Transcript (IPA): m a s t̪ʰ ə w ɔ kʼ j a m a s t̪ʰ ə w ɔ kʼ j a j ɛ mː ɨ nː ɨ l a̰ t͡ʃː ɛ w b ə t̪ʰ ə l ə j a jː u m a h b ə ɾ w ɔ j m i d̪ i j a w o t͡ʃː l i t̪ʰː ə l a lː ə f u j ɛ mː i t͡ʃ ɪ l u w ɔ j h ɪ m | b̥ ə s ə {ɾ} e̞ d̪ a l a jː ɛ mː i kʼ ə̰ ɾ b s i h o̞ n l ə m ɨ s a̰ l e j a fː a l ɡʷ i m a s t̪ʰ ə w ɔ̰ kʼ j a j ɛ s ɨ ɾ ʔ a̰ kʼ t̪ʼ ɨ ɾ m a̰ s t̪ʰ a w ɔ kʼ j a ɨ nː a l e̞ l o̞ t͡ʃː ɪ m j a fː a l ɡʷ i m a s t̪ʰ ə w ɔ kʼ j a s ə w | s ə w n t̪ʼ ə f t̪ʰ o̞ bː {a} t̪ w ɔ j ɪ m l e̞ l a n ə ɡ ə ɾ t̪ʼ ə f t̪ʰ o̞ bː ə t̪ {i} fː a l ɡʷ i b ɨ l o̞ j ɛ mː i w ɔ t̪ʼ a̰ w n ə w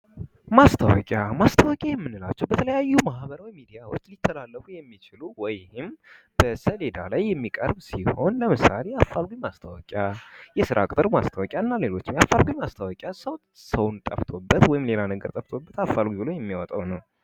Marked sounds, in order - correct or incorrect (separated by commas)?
incorrect, incorrect, incorrect